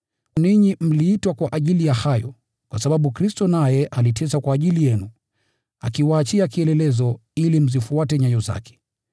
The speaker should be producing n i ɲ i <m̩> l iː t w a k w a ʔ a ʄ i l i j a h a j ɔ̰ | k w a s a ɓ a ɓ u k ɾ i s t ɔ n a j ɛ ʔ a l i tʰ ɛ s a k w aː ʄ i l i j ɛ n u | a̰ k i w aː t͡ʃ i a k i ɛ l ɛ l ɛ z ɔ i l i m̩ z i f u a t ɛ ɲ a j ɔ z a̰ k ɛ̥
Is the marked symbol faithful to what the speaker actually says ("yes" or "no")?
yes